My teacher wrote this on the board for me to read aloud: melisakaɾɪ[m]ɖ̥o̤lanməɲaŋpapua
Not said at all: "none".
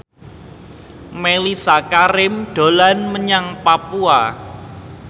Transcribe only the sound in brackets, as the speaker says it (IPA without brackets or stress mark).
m